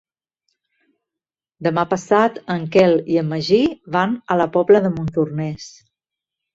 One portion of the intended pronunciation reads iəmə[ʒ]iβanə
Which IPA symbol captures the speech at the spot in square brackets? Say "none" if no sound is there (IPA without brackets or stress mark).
ʒ